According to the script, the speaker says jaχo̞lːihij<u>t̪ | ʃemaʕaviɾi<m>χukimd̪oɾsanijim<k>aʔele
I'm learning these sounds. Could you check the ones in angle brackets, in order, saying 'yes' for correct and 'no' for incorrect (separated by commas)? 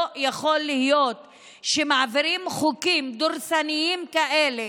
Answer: no, yes, yes